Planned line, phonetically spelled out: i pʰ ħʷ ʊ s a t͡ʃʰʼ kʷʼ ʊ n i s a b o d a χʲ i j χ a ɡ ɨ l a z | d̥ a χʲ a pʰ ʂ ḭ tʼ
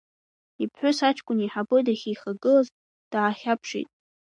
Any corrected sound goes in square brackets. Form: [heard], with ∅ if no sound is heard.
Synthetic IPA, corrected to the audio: i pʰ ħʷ ʊ s a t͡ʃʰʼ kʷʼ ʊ n i [ħ] a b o d a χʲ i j χ a ɡ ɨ l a z | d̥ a χʲ a pʰ ʂ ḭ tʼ